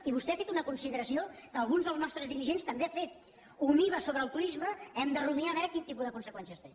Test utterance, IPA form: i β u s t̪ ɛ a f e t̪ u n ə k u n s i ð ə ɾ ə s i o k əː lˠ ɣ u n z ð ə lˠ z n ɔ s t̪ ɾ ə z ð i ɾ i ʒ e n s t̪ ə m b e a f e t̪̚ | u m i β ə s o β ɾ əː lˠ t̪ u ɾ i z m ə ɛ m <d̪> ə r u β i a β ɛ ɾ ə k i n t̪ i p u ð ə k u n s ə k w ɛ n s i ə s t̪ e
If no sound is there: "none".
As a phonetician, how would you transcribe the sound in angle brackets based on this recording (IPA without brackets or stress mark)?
d̪